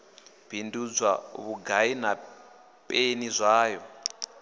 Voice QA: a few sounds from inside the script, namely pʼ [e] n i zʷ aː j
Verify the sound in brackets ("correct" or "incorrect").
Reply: correct